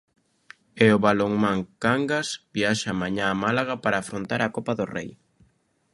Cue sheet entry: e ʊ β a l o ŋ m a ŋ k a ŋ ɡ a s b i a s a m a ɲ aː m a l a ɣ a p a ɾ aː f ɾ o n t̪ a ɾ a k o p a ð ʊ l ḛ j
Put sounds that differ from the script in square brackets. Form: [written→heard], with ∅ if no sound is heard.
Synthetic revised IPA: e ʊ β a l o ŋ m a ŋ k a ŋ ɡ a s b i a [s→ʃ] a m a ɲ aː m a l a ɣ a p a ɾ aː f ɾ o n t̪ a ɾ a k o p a ð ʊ [l→r] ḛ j